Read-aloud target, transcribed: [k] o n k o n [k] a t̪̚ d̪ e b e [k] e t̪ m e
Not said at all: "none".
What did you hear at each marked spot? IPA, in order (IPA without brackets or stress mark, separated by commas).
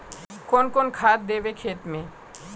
k, kʰ, kʰ